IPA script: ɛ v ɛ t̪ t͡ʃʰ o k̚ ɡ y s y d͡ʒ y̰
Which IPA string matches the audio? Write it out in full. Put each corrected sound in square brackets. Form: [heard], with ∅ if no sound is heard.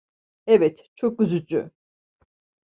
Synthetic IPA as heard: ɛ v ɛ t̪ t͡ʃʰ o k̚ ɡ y [z] y d͡ʒ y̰